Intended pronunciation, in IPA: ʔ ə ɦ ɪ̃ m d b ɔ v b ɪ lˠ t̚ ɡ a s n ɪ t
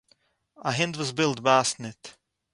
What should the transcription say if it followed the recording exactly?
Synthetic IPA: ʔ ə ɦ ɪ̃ n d w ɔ z b ɪ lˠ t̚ b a s n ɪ t